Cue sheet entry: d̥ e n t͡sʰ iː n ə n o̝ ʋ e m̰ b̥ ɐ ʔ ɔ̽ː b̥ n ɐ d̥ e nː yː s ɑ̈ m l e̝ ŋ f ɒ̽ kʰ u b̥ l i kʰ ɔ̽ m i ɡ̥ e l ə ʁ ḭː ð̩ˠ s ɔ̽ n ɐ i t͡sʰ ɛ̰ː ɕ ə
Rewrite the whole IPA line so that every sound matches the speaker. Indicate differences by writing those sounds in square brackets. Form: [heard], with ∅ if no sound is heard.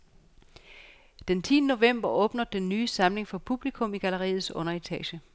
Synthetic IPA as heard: d̥ e n t͡sʰ iː n ə n o̝ ʋ e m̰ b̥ ɐ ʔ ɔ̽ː b̥ n ɐ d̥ e nː yː s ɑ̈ m l e̝ ŋ f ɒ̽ [pʰ] u b̥ l i kʰ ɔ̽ m i ɡ̥ [æ] l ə ʁ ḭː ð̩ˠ s ɔ̽ n ɐ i t͡sʰ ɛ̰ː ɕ ə